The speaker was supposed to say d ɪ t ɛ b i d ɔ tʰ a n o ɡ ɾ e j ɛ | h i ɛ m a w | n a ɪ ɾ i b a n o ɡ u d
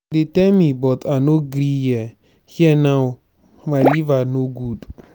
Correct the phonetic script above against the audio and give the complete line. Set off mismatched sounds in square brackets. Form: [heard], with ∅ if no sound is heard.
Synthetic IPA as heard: d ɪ t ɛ [m] i [b] ɔ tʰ a n o ɡ ɾ [i] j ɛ | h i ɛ [n] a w | [m] a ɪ [l] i [v] a n o ɡ u d